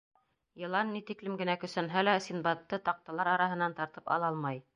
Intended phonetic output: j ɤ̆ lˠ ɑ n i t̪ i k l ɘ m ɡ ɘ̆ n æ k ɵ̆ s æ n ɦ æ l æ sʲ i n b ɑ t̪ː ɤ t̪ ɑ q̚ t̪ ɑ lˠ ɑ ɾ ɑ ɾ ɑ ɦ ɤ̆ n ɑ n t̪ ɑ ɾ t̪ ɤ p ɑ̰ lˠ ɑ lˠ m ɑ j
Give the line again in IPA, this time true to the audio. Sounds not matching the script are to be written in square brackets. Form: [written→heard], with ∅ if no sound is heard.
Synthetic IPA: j ɤ̆ lˠ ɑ [n→nː] i t̪ i k l ɘ m ɡ ɘ̆ n æ k ɵ̆ s æ n ɦ æ l æ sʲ i n b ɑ t̪ː ɤ t̪ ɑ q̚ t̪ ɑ lˠ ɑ ɾ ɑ ɾ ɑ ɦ ɤ̆ n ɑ n t̪ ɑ ɾ t̪ ɤ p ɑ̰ lˠ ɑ lˠ m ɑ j